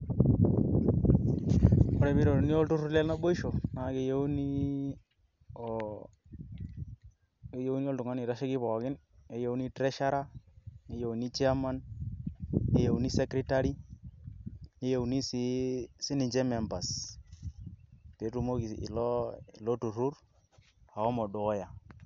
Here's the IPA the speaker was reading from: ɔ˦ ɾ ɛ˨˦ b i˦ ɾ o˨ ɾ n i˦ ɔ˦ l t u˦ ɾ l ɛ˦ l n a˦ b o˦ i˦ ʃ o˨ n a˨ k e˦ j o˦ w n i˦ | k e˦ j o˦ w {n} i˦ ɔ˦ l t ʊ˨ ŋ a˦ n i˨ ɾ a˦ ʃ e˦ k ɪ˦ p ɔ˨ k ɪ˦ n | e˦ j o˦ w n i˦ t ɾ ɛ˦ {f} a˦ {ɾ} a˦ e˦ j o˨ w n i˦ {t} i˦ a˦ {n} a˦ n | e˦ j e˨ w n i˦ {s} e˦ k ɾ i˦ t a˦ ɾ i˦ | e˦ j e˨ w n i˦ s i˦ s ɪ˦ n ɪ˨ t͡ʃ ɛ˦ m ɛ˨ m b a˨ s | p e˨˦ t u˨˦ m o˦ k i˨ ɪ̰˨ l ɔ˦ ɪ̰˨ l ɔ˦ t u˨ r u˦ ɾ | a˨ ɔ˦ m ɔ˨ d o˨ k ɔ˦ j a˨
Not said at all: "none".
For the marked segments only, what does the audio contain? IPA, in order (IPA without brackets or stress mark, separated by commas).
n, ʃ, ɾ, t͡ʃ, m, s